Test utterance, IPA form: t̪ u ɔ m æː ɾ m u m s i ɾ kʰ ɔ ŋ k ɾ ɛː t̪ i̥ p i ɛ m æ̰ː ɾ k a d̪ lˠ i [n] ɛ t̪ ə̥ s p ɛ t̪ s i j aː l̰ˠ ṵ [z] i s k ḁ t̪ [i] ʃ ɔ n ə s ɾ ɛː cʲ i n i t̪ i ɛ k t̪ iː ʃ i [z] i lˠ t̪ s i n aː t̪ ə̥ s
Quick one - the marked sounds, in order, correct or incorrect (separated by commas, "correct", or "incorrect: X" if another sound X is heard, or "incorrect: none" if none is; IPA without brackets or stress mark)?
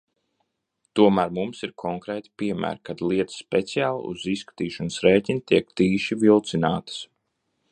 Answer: incorrect: none, correct, incorrect: iː, incorrect: v